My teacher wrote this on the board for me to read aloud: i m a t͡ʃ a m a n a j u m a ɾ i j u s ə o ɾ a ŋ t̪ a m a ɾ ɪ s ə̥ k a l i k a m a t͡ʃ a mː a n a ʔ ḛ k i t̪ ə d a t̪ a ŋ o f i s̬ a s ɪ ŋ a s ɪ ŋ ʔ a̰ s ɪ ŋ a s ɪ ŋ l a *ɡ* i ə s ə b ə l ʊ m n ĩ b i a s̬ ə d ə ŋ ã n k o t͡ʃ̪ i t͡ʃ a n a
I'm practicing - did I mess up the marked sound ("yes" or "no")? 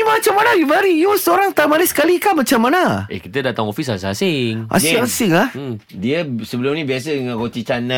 yes